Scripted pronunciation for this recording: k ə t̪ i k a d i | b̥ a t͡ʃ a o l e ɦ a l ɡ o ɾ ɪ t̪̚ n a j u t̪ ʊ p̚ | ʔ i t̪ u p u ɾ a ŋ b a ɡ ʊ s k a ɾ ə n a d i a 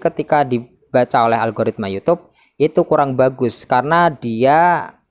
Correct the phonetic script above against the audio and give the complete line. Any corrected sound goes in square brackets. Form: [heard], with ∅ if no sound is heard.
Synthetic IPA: k ə t̪ i k a d i | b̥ a t͡ʃ a o l [ɛ] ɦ a l ɡ o ɾ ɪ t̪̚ [m] a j u t̪ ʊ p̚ | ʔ i t̪ u [k] u ɾ a ŋ b a ɡ ʊ s k a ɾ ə n a d i a